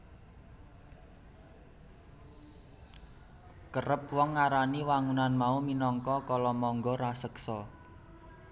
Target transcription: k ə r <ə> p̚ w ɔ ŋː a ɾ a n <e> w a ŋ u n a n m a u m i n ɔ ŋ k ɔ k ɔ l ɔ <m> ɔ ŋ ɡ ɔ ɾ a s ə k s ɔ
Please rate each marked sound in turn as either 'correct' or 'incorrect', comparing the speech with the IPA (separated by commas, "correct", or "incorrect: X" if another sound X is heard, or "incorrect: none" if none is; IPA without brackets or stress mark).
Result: correct, incorrect: i, correct